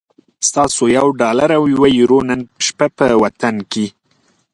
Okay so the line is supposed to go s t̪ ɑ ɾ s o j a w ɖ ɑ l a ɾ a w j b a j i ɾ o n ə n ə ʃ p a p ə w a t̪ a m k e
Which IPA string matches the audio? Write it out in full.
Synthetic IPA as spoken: s t̪ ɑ s o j a w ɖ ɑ l a ɾ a w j w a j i ɾ o n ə n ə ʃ p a p ə w a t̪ a n k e